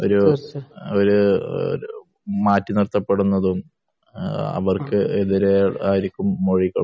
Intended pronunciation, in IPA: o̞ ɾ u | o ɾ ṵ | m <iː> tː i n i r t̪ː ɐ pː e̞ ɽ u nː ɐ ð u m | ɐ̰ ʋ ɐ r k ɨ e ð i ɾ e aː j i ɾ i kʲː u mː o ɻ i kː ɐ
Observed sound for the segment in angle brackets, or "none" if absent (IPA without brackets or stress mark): aː